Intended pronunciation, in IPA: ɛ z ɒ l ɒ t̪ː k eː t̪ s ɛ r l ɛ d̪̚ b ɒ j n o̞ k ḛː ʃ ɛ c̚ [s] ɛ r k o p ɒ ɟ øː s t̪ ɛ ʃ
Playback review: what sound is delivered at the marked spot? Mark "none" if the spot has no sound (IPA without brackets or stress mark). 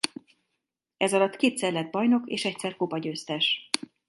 s